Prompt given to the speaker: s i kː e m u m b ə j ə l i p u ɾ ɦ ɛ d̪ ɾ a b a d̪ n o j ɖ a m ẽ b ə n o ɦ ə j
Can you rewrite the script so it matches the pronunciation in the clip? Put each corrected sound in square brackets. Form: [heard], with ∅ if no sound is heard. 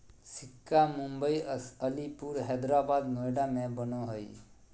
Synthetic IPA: s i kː [a] m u m b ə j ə l i p u ɾ ɦ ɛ d̪ ɾ a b a d̪ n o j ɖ a m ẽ b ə n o ɦ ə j